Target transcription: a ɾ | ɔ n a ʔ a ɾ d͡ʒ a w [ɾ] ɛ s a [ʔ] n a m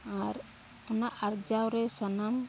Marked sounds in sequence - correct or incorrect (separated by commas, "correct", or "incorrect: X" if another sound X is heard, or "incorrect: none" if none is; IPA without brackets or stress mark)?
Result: correct, incorrect: none